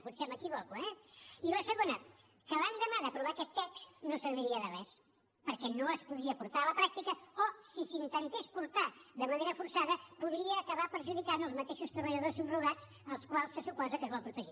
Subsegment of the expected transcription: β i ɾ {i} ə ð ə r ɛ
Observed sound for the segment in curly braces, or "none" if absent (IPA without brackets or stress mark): i